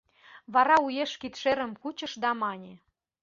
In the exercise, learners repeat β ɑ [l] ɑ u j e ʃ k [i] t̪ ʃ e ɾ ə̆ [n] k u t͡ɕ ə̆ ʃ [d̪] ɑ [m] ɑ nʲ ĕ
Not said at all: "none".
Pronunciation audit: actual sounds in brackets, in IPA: ɾ, i, m, d̪, m

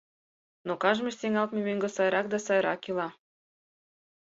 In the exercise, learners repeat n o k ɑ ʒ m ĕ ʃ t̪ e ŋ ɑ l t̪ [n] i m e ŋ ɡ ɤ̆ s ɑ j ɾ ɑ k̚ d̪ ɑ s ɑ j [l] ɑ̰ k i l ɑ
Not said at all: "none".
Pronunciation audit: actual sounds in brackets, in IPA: m, ɾ

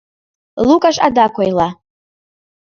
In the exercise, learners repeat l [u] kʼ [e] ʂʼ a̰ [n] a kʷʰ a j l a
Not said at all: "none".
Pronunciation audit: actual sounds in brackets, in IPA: u, a, d

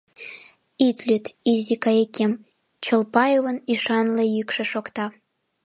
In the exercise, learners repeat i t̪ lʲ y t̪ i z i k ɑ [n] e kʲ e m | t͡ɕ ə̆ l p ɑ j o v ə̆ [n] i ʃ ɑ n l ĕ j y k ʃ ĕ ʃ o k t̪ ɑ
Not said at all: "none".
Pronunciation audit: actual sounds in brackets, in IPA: none, n

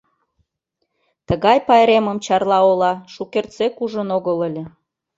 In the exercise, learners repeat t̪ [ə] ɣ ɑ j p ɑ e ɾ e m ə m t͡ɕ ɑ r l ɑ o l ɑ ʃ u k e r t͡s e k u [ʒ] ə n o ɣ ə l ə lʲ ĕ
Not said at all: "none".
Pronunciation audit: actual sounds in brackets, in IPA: ə, ʒ

